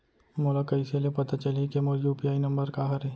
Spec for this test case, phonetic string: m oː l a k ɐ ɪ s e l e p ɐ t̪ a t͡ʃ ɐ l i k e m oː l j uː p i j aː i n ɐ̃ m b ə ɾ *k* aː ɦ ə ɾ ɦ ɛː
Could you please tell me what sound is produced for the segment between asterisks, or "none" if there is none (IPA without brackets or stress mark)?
k